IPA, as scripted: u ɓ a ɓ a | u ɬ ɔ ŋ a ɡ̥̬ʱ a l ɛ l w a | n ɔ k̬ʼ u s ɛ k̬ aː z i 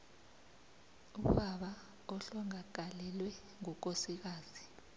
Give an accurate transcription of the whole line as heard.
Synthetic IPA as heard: u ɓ a ɓ a | ɔ ɬ ɔ ŋ a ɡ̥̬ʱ a l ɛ l w ɛ | ŋ ɔ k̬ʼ o s i k̬ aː z i

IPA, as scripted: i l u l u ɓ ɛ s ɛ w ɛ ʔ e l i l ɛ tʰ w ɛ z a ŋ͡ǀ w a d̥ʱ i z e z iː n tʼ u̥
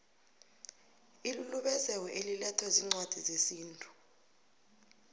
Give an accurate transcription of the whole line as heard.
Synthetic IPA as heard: i l u l u ɓ ɛ z ɛ w ɛ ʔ e l i l ɛ tʰ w ɛ z i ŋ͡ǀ w a d̥ʱ i z e s iː n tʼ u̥

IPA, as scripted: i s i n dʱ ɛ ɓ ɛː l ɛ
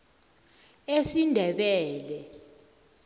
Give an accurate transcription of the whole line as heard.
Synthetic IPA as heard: e s i n dʱ ɛ ɓ ɛː l ɛ

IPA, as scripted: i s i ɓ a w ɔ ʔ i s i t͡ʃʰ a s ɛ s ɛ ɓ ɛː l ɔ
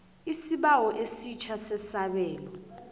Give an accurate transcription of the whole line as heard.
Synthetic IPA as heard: i s i ɓ a w ɔ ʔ e s i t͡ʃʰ a s ɛ s a ɓ ɛː l ɔ

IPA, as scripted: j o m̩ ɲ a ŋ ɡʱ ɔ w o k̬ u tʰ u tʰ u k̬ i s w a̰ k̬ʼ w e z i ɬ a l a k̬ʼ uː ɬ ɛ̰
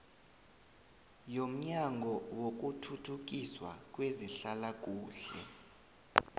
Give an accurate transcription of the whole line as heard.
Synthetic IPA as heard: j o m̩ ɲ a ŋ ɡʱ ɔ w o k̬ u tʰ u tʰ u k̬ i s w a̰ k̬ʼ w e z i ɬ a l a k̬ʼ uː ɬ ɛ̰

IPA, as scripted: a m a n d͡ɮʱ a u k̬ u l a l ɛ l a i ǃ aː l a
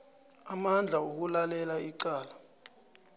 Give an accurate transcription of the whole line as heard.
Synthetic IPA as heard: a m a n d͡ɮʱ a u k̬ u l a l ɛ l a i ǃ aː l a

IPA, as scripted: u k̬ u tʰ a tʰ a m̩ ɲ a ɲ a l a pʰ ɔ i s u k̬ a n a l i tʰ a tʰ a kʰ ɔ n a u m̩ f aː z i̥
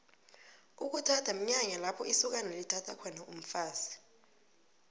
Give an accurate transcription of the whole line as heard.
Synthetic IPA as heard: u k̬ u tʰ a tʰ a m̩ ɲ a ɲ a l a pʰ ɔ i s u k̬ a n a l i tʰ a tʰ a kʰ ɔ n a u m̩ f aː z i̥

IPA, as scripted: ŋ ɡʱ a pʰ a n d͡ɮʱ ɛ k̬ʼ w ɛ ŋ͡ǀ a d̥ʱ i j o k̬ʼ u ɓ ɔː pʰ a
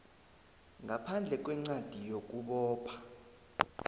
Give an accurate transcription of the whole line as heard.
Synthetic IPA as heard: ŋ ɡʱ a pʰ a n d͡ɮʱ ɛ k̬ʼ w ɛ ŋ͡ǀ a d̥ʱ i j o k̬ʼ u ɓ ɔː pʰ a

